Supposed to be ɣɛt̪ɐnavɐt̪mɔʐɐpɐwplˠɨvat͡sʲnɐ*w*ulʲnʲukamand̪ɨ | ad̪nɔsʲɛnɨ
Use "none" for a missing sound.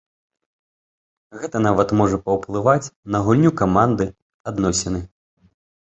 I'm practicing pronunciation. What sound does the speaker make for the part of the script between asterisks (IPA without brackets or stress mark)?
ɣ